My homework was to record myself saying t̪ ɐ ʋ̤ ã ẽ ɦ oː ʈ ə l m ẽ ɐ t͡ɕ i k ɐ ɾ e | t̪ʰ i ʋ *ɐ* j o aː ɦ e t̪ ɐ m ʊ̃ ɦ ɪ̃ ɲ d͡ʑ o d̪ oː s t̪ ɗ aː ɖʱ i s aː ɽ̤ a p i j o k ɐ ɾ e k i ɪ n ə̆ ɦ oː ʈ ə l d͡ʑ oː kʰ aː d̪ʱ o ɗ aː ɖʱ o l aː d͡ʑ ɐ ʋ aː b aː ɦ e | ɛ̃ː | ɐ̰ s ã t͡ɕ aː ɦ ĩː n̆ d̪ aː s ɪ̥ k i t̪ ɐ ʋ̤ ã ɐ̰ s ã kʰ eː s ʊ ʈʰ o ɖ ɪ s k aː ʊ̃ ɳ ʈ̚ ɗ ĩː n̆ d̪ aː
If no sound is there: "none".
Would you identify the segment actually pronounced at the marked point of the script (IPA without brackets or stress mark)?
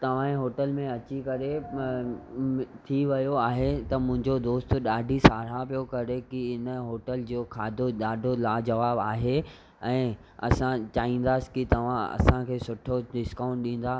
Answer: ɐ